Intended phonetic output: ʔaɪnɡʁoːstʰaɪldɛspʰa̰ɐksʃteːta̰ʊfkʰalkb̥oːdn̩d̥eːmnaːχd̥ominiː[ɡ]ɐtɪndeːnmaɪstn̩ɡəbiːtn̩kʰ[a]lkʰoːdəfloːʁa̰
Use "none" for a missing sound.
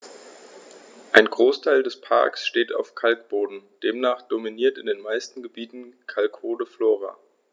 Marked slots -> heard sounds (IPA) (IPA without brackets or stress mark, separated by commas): none, a